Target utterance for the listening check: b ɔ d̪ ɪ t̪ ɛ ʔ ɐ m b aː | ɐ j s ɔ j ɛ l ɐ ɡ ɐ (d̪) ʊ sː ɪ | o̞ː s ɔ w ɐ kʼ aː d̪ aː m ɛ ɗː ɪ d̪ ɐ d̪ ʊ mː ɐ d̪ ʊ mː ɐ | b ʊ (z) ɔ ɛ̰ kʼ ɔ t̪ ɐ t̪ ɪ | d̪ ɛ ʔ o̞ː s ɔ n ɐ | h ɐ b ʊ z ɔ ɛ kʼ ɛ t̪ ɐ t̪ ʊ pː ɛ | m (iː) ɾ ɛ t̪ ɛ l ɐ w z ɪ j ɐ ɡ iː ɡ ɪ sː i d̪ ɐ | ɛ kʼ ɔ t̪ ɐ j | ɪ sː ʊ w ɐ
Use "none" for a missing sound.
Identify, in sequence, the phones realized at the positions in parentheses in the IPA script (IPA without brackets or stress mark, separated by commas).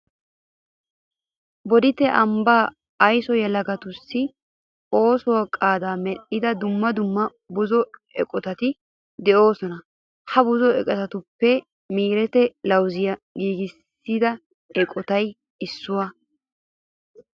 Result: t̪, z, iː